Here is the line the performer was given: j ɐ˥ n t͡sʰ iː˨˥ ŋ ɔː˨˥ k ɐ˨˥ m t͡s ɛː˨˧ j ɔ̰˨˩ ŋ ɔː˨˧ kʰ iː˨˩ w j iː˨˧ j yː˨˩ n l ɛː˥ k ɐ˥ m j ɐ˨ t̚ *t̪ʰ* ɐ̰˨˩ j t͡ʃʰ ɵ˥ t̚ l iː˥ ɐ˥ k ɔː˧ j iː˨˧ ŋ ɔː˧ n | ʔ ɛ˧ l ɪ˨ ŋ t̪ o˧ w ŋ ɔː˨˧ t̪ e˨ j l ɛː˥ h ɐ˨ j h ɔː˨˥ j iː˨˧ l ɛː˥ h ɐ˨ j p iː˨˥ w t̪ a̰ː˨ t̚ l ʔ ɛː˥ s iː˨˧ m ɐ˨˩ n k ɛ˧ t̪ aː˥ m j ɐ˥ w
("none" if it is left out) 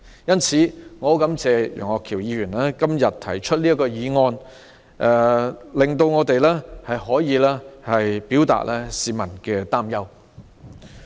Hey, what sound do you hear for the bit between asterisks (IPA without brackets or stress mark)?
t̪ʰ